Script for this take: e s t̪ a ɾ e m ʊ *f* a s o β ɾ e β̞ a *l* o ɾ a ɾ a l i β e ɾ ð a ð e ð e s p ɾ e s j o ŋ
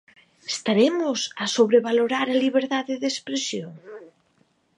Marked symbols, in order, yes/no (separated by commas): no, yes